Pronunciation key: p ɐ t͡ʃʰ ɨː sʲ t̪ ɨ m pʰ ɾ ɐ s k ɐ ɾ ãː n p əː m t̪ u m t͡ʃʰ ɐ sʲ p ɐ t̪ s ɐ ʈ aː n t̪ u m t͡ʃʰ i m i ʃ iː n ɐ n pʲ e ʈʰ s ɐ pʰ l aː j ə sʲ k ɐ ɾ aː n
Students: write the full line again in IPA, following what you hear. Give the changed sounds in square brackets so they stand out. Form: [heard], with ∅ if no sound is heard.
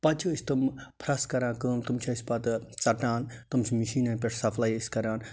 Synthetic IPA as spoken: p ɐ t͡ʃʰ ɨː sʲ t̪ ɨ m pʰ ɾ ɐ s k ɐ ɾ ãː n [k] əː m t̪ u m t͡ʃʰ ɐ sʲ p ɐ t̪ [t͡s] ɐ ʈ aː n t̪ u m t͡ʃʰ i m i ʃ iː n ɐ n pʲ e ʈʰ s ɐ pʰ l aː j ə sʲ k ɐ ɾ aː n